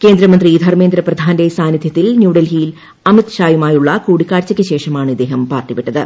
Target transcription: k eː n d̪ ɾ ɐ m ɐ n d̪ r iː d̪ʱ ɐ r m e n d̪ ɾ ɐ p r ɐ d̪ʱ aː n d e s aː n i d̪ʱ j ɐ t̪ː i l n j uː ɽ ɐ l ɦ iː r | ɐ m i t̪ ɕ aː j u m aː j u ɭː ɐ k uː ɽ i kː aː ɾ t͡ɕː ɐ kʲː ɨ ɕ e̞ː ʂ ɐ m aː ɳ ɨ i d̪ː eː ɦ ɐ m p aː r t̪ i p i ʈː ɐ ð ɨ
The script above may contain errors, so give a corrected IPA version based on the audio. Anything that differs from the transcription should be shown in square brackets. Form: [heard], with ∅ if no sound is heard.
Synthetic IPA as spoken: k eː n d̪ ɾ ɐ m ɐ n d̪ r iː d̪ʱ ɐ r m e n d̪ ɾ ɐ p r ɐ d̪ʱ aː n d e s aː n i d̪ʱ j ɐ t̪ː i l n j uː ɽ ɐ l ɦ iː [l] | ɐ m i t̪ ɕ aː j u m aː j u ɭː ɐ k uː ɽ i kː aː ɾ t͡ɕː ɐ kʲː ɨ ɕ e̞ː ʂ ɐ m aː ɳ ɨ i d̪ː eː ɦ ɐ m p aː r t̪ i p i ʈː ɐ ð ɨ